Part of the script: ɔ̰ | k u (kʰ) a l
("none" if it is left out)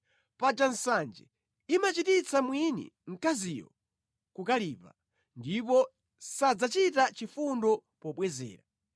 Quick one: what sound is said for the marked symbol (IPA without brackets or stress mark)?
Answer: k